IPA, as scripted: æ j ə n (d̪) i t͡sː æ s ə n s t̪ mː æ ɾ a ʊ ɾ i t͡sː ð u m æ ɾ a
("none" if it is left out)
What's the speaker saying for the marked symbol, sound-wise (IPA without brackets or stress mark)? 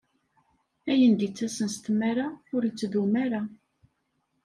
d̪